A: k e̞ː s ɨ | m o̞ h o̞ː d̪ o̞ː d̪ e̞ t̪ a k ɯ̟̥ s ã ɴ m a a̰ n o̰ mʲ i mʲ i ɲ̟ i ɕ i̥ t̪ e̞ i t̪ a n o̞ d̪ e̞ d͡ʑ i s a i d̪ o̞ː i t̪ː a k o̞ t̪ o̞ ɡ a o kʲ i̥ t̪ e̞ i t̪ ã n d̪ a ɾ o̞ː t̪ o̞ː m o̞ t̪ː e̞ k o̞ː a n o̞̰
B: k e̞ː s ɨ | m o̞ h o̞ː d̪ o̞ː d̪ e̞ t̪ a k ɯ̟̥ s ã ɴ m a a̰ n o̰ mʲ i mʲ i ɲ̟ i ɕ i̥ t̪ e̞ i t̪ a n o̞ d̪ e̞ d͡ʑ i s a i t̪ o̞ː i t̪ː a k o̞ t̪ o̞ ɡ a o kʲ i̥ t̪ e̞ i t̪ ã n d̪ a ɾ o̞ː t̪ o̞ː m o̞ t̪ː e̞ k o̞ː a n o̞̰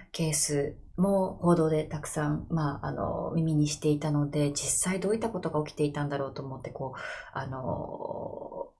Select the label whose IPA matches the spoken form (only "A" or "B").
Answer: A